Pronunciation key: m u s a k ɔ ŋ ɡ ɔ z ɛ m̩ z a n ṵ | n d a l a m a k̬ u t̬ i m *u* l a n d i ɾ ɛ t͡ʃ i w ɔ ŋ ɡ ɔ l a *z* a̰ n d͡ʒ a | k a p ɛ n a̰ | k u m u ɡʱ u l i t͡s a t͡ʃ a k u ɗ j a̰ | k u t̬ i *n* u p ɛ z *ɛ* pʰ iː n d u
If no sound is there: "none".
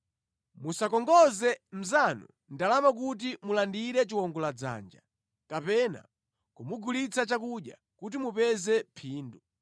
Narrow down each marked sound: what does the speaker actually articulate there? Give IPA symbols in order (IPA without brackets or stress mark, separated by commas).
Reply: u, d͡z, m, ɛ